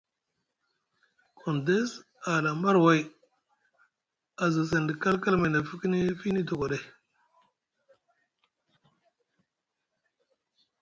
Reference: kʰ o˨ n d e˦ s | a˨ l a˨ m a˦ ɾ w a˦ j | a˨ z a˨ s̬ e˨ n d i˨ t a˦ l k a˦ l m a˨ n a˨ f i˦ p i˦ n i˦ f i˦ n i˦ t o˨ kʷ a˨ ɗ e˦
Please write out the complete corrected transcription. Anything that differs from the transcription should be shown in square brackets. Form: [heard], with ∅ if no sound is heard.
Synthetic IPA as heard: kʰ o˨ n d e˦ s | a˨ l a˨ m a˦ ɾ w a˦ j | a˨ z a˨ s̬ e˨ n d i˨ [k] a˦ l k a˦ l m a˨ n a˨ f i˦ [k] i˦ n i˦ f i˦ n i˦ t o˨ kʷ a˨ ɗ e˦